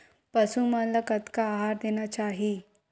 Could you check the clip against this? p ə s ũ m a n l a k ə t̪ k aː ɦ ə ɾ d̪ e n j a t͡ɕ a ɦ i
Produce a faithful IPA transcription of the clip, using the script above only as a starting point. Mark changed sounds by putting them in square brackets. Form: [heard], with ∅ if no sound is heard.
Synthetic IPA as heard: p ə s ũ m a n l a k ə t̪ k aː ɦ [a] ɾ d̪ e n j a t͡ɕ a ɦ i